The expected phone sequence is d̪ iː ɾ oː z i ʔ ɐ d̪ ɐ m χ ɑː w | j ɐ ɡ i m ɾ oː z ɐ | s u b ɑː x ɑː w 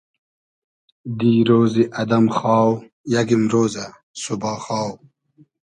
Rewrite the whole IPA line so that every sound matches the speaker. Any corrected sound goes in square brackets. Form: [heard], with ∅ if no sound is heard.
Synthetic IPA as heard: d̪ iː ɾ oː z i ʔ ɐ d̪ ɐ m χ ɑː w | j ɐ ɡ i m ɾ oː z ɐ | s u b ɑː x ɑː w